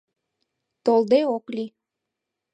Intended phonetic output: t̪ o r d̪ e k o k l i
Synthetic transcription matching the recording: t̪ o l d̪ e o k l i